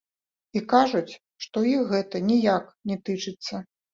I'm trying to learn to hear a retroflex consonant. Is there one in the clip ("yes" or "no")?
yes